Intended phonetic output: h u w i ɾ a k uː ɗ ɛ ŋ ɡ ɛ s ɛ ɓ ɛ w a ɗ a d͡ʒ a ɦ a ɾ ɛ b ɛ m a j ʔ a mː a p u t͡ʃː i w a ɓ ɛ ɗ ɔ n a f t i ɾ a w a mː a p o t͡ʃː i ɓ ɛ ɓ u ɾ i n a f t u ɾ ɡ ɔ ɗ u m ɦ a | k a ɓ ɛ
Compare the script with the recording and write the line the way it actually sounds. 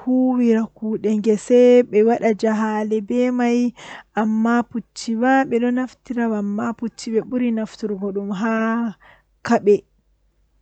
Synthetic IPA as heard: h u w i ɾ a k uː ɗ ɛ ŋ ɡ ɛ s ɛ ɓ ɛ w a ɗ a d͡ʒ a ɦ a l ɛ b ɛ m a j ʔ a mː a p u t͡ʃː i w a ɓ ɛ ɗ ɔ n a f t i ɾ a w a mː a p u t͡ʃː i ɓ ɛ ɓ u ɾ i n a f t u ɾ ɡ ɔ ɗ u m ɦ a | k a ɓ ɛ